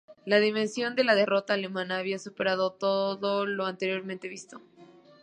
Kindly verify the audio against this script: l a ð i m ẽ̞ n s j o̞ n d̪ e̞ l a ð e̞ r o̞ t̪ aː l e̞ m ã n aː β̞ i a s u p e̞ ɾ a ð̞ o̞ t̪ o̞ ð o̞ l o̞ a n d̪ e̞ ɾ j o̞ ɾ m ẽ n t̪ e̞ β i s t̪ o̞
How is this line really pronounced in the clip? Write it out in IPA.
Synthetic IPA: l a ð i m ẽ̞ n s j o̞ n d̪ e̞ l a ð e̞ r o̞ t̪ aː l e̞ m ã n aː β̞ i a s u p e̞ ɾ a ð̞ o̞ t̪ o̞ ð o̞ l o̞ a n t̪ e̞ ɾ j o̞ ɾ m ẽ n t̪ e̞ β i s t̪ o̞